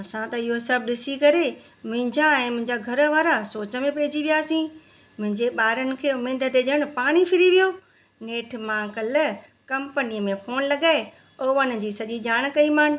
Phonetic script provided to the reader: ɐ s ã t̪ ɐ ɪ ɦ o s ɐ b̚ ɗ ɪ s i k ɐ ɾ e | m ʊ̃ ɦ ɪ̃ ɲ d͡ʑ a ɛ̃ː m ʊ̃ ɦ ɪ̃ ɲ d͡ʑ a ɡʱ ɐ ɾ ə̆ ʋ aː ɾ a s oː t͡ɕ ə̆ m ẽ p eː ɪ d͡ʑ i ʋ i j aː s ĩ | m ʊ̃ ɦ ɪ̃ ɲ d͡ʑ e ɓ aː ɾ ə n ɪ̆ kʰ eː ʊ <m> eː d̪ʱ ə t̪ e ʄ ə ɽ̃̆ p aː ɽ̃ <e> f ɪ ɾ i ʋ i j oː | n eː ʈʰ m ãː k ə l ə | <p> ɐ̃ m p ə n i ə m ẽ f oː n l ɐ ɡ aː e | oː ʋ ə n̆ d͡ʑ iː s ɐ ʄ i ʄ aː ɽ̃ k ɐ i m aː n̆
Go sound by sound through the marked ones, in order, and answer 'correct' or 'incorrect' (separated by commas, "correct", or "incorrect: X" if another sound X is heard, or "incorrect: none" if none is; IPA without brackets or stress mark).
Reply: correct, incorrect: i, incorrect: k